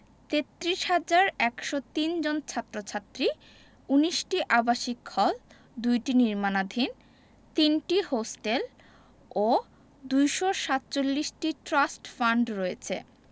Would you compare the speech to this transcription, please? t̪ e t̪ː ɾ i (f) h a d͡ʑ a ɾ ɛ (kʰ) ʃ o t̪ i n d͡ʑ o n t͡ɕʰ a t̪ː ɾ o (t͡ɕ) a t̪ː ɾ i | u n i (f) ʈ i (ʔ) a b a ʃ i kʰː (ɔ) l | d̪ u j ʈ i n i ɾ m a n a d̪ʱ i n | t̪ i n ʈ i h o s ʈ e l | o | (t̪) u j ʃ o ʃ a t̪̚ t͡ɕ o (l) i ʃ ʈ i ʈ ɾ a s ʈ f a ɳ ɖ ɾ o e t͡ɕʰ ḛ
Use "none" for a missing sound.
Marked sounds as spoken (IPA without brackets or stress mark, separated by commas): ʃ, k, t͡ɕʰ, ʃ, ʔ, ɔ, d̪, lː